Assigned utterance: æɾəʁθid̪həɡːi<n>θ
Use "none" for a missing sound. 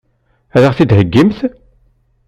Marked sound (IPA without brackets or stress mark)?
m